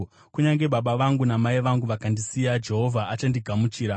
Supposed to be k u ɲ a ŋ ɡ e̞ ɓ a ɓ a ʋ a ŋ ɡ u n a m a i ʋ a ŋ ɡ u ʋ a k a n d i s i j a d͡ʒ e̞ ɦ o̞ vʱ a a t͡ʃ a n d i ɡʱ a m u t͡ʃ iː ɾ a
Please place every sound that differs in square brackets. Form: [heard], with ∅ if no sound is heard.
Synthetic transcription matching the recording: k u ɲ a ŋ ɡ e̞ ɓ a ɓ a ʋ a ŋ ɡ u n a m a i ʋ a ŋ ɡ u ʋ a k a n d i s i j a d͡ʒ e̞ ɦ o̞ vʱ a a t͡ʃ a n d i ɡʱ a m u t͡ʃ iː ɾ a